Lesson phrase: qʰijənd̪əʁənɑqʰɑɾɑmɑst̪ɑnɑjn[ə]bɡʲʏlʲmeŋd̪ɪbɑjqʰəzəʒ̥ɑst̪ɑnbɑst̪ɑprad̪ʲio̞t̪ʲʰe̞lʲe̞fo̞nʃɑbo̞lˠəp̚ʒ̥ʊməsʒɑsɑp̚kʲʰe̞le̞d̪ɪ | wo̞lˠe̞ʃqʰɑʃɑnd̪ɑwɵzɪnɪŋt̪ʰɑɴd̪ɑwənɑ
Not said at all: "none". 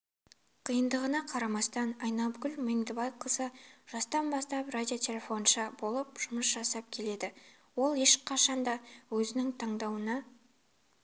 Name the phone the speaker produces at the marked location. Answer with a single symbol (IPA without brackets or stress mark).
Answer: ɑ